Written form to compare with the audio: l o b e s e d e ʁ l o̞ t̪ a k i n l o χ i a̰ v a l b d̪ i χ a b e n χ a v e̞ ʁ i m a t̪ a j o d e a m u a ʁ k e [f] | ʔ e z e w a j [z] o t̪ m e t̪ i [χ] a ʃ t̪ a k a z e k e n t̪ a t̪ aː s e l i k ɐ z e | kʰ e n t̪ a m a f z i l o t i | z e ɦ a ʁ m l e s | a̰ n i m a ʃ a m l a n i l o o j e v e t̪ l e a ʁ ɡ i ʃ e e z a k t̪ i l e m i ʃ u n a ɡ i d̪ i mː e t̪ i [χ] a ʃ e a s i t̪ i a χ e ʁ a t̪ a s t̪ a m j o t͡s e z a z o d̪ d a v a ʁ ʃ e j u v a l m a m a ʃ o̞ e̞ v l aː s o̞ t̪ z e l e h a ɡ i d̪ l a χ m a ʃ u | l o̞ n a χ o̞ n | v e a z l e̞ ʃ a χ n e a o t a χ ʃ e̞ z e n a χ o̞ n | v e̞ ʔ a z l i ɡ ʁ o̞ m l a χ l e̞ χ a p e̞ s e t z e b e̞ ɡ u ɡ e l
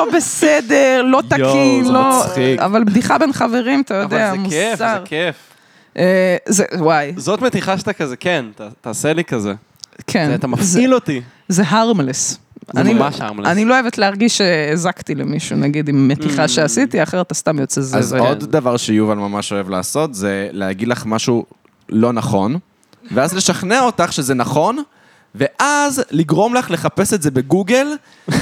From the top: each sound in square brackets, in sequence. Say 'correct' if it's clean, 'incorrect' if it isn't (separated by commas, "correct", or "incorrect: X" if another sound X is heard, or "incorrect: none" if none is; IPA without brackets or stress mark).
correct, correct, correct, correct